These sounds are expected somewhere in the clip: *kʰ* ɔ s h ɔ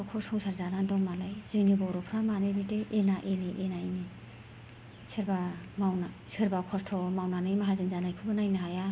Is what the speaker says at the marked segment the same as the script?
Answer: yes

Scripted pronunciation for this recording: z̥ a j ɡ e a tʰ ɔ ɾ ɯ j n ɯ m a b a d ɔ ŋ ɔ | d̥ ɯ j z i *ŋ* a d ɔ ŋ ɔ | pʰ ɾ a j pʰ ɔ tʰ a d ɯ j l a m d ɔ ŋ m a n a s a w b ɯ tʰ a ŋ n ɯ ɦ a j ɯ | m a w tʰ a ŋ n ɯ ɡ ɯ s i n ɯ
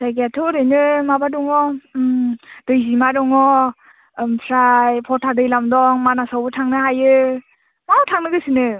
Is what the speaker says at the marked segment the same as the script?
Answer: no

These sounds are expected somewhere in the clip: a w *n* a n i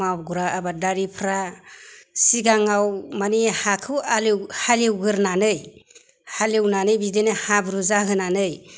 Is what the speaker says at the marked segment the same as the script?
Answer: no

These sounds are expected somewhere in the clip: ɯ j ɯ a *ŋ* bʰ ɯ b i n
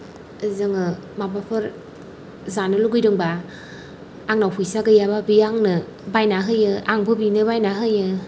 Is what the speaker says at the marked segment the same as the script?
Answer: yes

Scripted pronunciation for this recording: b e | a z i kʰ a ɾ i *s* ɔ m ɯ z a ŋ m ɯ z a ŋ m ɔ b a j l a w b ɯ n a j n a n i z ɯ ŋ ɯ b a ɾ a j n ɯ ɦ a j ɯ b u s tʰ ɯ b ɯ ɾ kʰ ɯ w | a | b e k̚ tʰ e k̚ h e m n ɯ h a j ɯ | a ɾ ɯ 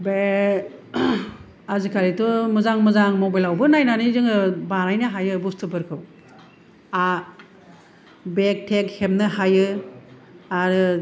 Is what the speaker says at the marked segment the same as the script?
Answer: no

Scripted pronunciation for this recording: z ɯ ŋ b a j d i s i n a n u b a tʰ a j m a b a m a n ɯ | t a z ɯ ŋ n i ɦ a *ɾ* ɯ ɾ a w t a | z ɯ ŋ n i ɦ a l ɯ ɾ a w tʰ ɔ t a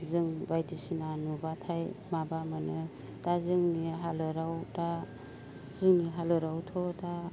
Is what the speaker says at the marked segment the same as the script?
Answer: no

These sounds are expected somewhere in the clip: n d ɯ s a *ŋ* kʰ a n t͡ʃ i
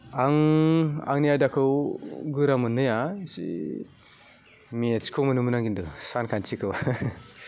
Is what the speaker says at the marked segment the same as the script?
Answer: no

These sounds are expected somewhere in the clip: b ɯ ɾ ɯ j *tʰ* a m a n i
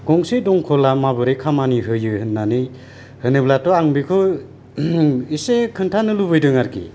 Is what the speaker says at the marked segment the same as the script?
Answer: no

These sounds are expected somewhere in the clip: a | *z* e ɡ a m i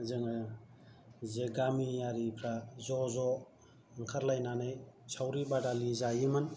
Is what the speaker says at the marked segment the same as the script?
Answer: yes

